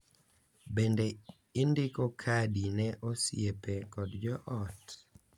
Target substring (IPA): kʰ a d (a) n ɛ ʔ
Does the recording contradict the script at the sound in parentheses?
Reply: yes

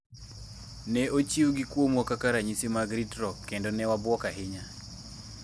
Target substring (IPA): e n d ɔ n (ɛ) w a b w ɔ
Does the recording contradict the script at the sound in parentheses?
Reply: no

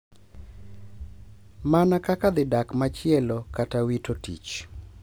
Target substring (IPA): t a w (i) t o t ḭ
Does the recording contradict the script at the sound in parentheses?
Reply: no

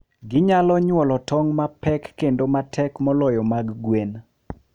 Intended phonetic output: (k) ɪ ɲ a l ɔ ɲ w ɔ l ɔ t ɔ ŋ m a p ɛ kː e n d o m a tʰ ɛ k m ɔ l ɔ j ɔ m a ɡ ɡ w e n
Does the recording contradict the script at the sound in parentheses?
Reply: yes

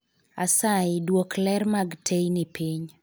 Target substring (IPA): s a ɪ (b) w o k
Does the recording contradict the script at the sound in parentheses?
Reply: yes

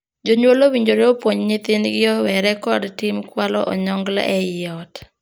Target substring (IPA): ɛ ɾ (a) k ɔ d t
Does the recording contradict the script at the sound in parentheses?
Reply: yes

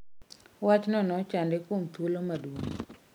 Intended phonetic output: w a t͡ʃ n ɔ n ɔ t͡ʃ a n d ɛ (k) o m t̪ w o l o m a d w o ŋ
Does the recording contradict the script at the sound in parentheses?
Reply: no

